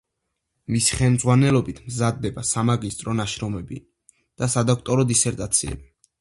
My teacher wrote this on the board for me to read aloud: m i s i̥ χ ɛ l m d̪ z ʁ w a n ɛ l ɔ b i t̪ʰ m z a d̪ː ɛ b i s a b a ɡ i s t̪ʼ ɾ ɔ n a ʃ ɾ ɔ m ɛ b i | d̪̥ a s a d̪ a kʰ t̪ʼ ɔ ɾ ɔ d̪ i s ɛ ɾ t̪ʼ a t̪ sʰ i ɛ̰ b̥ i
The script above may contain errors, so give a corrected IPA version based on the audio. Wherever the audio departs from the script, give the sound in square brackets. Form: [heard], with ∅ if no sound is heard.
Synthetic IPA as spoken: m i s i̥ χ ɛ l m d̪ z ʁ w a n ɛ l ɔ b i t̪ʰ m z a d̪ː ɛ b [a] s a [m] a ɡ i s t̪ʼ ɾ ɔ n a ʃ ɾ ɔ m ɛ b i | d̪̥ a s a d̪ a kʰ t̪ʼ ɔ ɾ ɔ d̪ i s ɛ ɾ t̪ʼ a t̪ sʰ i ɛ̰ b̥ i